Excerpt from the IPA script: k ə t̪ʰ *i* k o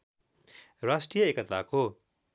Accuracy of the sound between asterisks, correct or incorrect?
incorrect